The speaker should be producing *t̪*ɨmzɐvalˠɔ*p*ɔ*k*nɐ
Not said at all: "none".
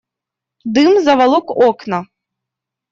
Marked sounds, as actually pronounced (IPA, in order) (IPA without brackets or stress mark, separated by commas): d̪, k, k